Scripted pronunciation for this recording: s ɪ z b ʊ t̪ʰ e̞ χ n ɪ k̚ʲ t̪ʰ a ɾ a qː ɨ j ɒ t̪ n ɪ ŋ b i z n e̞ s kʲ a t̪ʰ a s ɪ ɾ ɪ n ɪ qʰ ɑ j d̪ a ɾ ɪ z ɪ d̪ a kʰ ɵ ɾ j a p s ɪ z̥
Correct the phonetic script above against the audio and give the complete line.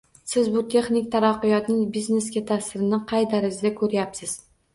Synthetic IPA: s ɪ z b ʊ t̪ʰ e̞ χ n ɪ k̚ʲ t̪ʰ a ɾ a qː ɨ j ɒ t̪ n ɪ ŋ b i z n e̞ s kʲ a t̪ʰ a s ɪ ɾ ɪ n ɪ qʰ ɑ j d̪ a ɾ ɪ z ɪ d̪ a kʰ ɵ ɾ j a p s ɪ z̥